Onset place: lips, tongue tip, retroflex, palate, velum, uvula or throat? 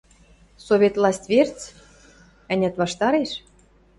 tongue tip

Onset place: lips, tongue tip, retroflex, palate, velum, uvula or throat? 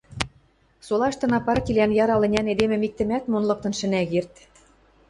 tongue tip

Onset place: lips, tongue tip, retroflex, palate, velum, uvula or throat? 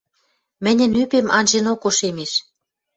lips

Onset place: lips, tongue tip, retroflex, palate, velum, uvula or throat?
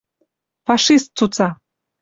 lips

